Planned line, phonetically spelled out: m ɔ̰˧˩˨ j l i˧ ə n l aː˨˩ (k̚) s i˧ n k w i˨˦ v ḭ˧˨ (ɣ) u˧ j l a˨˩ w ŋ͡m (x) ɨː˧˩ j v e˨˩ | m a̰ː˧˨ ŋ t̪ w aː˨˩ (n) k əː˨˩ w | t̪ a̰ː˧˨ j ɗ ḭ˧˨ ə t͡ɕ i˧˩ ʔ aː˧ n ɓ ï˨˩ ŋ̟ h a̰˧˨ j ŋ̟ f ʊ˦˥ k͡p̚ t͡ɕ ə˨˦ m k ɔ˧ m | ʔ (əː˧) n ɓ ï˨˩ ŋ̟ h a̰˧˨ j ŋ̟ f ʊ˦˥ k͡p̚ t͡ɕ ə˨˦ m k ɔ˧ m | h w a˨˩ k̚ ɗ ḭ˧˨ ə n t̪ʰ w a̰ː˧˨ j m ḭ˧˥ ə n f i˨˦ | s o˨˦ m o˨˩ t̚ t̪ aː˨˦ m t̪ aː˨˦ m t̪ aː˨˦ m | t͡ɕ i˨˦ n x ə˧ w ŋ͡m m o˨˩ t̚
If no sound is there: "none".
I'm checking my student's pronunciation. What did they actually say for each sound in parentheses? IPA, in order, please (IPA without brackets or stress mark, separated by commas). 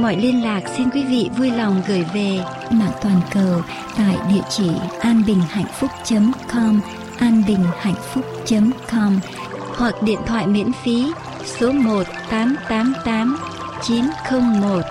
k̚, v, ɣ, n, aː˧